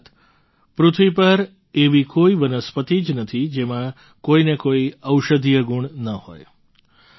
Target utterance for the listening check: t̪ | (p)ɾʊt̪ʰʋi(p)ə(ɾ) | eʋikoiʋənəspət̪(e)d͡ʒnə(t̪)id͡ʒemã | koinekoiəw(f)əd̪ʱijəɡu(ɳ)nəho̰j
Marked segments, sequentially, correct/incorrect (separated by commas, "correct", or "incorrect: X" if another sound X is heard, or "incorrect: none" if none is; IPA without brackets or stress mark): correct, correct, correct, incorrect: i, incorrect: t̪ʰ, incorrect: ʃ, correct